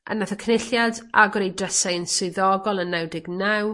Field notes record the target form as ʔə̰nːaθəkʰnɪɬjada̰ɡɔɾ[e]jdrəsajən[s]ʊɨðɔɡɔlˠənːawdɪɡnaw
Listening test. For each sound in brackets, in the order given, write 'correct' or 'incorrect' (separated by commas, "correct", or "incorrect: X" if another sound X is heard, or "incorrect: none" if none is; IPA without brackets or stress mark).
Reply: correct, correct